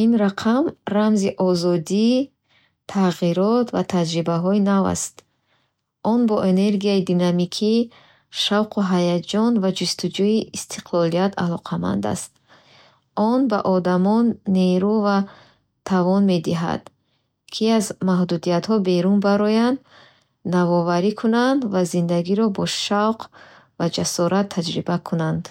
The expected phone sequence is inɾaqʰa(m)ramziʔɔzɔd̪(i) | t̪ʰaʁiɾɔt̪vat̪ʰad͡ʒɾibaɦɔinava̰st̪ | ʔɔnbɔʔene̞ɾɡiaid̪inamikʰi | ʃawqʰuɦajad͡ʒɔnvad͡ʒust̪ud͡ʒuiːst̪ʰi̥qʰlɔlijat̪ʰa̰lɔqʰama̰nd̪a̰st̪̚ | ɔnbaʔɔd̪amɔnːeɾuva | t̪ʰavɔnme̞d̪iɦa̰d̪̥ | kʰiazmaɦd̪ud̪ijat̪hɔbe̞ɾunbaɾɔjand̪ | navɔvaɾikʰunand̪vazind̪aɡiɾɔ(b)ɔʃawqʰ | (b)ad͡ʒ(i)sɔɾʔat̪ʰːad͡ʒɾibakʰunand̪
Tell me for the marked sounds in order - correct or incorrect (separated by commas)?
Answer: correct, correct, correct, incorrect, incorrect